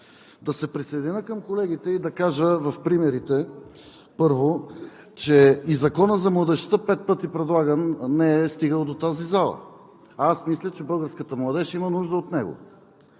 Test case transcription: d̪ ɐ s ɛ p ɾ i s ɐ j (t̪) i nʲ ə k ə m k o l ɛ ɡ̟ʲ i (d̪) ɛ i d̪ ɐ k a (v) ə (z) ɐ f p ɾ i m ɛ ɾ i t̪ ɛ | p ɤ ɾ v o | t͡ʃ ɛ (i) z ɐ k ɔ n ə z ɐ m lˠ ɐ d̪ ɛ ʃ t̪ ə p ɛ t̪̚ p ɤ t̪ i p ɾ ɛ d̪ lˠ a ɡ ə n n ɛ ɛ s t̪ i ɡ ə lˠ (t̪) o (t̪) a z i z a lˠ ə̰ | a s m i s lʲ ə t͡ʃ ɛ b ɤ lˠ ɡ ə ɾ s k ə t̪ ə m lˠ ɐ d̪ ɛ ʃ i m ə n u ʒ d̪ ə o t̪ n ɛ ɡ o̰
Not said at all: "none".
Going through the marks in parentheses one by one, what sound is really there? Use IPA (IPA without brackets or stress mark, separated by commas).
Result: d̪, t̪, ʒ, v, i, d̪, t̪